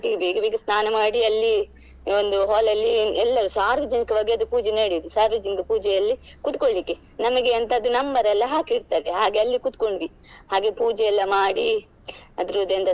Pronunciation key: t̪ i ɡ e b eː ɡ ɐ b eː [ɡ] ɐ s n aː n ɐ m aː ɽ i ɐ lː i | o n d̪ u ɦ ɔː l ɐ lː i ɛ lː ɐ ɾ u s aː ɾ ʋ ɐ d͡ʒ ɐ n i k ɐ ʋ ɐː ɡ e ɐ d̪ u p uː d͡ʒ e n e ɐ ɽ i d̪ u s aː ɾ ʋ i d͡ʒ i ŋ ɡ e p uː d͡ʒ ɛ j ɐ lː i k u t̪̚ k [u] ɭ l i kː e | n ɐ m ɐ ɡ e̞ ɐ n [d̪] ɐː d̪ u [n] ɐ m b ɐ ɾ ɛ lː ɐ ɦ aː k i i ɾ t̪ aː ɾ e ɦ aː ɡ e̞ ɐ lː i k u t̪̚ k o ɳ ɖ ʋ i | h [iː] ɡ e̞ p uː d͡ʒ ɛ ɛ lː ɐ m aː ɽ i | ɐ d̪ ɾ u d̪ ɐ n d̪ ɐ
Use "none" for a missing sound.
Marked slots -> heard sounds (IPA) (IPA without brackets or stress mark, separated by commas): ɡ, o, t̪, n, aː